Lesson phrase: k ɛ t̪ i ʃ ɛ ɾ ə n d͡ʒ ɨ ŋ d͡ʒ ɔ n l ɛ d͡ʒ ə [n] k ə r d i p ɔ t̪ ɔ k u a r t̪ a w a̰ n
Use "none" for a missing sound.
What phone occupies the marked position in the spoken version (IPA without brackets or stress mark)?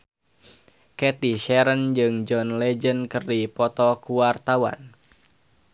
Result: n